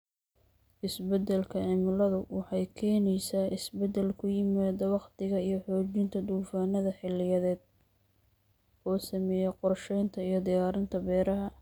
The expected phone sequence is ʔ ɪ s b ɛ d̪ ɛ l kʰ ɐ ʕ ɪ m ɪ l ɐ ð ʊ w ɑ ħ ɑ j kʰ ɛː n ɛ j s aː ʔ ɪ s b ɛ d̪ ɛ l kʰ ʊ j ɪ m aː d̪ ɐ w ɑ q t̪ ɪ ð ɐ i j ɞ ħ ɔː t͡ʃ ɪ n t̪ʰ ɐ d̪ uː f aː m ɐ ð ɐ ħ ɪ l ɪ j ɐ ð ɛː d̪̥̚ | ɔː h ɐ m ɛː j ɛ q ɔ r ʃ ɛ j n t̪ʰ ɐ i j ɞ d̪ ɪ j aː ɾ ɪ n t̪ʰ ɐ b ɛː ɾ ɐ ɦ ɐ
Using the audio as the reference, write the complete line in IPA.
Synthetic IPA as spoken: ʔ ɪ s b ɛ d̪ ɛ l kʰ ɐ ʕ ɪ m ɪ l ɐ ð ʊ w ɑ ħ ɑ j kʰ ɛː n ɛ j s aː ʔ ɪ s b ɛ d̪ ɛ l kʰ ʊ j ɪ m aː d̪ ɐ w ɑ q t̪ ɪ ɣ ɐ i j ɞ ħ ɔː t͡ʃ ɪ n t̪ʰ ɐ d̪ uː f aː n ɐ ð ɐ ħ ɪ l ɪ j ɐ ð ɛː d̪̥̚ | ɔː s ɐ m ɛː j ɛ q ɔ r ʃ ɛ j n t̪ʰ ɐ i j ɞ d̪ ɪ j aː ɾ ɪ n t̪ʰ ɐ b ɛː ɾ ɐ ɦ ɐ